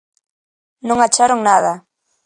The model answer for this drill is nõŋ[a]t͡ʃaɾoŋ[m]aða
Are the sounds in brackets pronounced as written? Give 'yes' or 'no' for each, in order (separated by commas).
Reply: yes, no